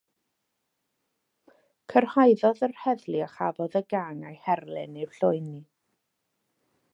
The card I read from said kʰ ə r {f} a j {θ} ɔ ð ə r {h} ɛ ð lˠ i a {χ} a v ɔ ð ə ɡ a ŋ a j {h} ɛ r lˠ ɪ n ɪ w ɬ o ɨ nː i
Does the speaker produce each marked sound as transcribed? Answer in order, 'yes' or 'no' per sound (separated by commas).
no, no, yes, yes, yes